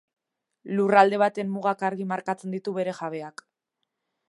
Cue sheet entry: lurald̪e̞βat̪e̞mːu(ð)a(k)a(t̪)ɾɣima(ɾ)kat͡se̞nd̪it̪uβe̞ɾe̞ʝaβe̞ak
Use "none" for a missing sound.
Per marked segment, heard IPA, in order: ɣ, k, none, ɾ

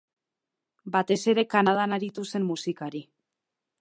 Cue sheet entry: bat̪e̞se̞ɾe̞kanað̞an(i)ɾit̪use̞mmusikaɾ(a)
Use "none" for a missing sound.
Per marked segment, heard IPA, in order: a, i

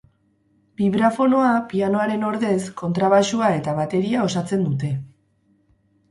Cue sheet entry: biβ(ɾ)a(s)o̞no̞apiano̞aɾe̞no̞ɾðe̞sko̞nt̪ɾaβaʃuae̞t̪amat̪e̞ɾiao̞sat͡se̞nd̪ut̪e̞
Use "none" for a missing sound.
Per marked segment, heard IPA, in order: ɾ, f

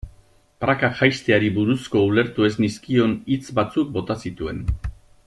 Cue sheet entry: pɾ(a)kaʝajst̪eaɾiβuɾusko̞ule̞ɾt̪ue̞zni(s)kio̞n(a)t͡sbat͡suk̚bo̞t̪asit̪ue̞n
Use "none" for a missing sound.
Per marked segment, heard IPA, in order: a, s, i

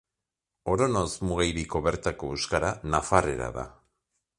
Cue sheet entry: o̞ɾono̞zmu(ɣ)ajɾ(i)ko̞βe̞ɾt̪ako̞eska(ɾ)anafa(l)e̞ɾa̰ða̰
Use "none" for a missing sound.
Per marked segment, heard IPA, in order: ɣ, i, ɾ, r

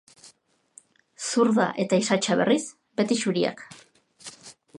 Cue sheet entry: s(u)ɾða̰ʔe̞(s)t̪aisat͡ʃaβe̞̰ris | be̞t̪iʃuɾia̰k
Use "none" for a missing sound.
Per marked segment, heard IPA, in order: u, none

